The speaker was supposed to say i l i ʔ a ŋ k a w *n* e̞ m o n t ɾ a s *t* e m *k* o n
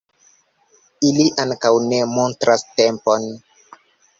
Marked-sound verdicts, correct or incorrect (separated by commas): correct, correct, incorrect